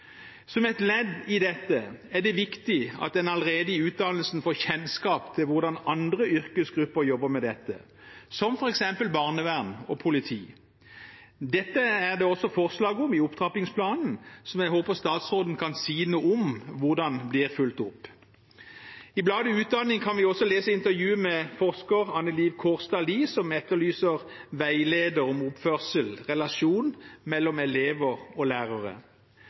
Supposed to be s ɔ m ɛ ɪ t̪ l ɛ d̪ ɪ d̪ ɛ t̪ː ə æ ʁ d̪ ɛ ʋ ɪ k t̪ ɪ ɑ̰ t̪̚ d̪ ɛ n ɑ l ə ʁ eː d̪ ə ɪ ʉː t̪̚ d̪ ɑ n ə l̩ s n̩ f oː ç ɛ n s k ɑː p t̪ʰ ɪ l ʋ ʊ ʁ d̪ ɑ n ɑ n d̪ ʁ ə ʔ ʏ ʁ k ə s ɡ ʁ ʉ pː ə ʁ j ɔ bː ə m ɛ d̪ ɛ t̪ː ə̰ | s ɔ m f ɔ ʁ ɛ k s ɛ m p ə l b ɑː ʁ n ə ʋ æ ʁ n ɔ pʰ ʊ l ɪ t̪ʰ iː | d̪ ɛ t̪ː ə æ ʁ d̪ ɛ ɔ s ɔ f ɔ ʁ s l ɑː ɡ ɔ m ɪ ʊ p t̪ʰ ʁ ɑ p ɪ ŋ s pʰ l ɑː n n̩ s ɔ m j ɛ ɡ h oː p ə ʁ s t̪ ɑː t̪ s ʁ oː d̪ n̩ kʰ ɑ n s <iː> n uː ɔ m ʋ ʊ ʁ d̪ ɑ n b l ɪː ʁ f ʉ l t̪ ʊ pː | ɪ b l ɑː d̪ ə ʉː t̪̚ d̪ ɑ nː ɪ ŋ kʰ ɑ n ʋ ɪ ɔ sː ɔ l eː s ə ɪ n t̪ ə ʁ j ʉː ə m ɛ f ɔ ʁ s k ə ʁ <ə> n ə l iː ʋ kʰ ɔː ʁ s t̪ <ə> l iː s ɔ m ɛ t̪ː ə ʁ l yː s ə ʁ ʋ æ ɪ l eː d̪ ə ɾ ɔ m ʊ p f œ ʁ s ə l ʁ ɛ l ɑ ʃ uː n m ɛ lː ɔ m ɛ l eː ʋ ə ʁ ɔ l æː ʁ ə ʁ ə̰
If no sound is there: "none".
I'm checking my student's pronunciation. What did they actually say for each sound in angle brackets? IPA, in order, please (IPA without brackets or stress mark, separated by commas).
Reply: iː, ɑ, ɑ